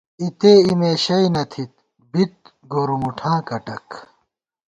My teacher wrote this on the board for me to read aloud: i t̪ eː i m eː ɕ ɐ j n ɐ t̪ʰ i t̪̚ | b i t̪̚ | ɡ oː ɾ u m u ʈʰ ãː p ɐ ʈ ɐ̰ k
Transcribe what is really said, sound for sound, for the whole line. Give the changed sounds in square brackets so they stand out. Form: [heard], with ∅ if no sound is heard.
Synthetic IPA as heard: i t̪ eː i m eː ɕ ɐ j n ɐ t̪ʰ i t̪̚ | b i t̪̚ | ɡ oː ɾ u m u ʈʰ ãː [k] ɐ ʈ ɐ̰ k